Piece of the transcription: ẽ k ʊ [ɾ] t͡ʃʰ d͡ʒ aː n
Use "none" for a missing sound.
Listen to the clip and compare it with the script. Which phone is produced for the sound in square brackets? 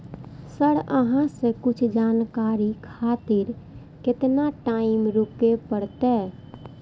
none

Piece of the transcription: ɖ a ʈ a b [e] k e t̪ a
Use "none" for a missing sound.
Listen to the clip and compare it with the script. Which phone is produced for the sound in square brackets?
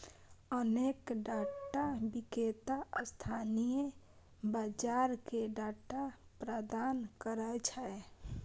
i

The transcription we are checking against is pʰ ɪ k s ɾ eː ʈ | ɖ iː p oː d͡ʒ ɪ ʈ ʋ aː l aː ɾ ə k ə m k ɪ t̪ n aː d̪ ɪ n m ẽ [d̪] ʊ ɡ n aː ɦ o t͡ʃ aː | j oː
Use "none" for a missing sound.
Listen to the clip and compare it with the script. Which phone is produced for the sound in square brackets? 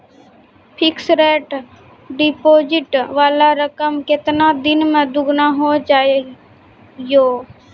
d̪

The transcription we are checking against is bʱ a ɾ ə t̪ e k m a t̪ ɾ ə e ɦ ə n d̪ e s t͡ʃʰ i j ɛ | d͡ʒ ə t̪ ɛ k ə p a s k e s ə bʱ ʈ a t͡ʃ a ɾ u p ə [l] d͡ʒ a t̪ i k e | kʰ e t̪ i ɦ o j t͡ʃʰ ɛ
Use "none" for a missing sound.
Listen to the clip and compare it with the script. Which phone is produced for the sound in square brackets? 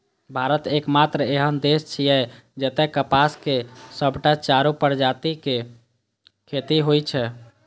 ɾ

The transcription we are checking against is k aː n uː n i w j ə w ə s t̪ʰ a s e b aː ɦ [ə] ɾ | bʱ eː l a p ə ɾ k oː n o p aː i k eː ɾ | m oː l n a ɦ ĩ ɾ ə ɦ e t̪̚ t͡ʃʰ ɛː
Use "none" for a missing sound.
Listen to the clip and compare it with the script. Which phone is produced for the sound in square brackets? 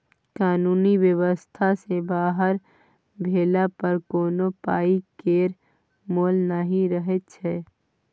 ə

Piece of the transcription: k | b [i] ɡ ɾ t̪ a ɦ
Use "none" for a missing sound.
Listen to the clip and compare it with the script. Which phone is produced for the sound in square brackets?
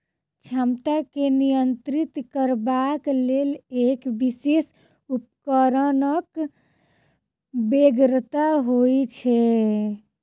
e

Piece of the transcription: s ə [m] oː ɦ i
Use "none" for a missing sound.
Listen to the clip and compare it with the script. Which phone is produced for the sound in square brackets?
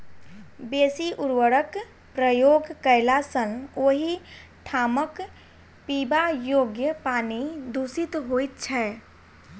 n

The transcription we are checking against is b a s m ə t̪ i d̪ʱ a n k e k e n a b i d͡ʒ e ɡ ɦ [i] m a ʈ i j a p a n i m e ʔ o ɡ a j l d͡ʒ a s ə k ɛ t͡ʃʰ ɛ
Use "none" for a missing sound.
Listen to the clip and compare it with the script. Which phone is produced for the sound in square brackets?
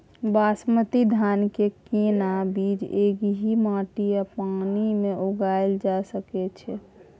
i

